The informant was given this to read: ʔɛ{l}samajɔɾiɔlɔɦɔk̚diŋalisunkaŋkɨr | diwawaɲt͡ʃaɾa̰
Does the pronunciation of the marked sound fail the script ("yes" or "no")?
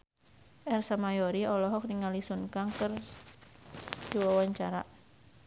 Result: yes